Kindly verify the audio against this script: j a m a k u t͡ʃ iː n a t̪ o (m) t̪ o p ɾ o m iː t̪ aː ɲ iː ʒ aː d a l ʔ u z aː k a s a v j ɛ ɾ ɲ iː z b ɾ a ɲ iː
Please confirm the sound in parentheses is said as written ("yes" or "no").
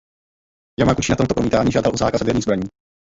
yes